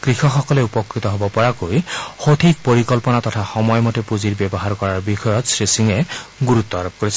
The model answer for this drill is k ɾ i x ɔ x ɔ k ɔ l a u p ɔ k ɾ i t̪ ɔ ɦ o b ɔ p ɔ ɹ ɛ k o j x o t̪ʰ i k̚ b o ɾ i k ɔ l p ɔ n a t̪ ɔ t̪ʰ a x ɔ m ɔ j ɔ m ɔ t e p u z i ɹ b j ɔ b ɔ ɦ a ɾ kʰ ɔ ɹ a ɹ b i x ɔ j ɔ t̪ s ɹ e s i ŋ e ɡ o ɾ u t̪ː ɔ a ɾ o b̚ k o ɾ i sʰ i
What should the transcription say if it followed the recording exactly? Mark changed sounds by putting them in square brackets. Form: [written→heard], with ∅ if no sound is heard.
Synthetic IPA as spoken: k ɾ i x ɔ x ɔ k ɔ l [a→e] u p ɔ k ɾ i t̪ ɔ ɦ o b ɔ p ɔ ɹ [ɛ→a] k o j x o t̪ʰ i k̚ [b→p] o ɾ i k ɔ l p ɔ n a t̪ ɔ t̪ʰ a x ɔ m ɔ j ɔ m ɔ t e p u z i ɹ b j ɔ b ɔ ɦ a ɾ [kʰ→k] ɔ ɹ a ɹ b i x ɔ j ɔ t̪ s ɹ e s i ŋ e ɡ [o→u] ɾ u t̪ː ɔ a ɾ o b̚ k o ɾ i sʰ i